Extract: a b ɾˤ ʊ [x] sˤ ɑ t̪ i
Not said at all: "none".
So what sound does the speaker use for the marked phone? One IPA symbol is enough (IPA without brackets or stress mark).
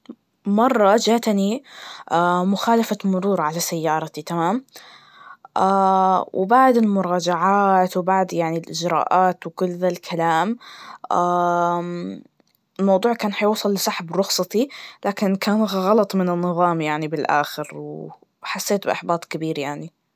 x